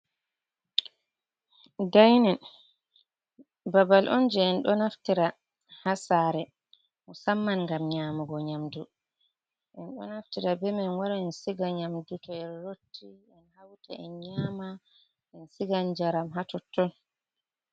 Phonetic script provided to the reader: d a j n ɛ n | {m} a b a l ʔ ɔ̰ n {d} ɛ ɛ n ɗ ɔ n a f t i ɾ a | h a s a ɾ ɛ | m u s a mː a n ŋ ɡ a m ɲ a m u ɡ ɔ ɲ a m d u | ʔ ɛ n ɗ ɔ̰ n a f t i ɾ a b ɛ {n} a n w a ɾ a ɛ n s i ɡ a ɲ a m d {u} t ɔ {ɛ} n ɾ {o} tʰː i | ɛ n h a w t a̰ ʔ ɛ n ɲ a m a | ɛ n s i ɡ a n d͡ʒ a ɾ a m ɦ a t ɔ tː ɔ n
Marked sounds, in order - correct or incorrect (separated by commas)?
incorrect, incorrect, incorrect, correct, correct, correct